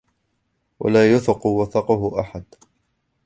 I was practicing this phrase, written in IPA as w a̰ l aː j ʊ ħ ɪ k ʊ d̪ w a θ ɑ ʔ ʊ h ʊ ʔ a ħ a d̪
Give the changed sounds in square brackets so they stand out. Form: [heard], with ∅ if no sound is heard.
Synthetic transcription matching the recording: w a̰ l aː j ʊ [θ] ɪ [q] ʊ [∅] w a θ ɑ [q] ʊ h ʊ ʔ a ħ a d̪

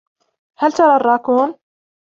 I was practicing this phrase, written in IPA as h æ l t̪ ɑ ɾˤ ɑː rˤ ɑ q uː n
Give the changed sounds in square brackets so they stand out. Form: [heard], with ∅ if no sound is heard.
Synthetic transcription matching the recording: h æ l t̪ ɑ ɾˤ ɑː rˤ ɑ [k] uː n

